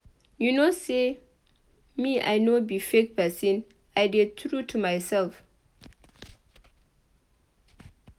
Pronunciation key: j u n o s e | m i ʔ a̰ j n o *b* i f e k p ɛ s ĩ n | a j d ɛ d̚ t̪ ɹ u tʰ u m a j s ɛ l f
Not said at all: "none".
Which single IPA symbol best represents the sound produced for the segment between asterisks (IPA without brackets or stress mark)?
b